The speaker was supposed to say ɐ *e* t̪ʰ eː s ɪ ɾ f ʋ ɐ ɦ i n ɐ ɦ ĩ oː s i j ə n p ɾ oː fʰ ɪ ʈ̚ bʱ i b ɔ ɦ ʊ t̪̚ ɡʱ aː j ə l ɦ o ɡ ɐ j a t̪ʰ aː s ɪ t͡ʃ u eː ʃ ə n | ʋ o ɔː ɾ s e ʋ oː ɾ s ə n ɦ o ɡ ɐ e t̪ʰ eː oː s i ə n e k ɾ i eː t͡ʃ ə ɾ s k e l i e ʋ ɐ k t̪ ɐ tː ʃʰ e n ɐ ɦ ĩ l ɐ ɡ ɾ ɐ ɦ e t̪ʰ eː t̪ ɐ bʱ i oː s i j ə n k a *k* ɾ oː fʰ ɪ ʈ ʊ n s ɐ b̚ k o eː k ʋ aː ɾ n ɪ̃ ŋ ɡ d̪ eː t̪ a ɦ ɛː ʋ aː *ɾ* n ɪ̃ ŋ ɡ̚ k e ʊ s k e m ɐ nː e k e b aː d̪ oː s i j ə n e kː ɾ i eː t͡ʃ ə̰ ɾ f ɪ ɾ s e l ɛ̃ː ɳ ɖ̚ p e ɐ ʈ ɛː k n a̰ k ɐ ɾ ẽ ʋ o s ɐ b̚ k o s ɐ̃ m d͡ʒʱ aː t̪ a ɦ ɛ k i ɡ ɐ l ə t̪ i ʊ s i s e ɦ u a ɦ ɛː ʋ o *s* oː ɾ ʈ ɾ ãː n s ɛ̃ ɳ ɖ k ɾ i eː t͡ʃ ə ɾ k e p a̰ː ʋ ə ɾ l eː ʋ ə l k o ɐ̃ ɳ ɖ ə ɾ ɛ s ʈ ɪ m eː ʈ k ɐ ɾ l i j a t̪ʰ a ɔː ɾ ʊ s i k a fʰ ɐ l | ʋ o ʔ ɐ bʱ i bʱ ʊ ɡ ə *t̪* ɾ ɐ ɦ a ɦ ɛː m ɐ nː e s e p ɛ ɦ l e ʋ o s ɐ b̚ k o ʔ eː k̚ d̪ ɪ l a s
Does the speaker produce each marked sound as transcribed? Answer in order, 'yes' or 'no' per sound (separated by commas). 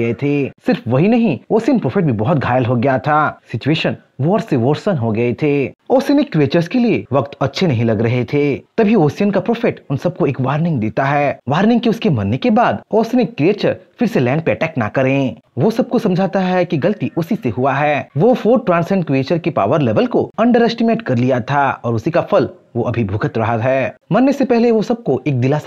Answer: yes, no, yes, no, yes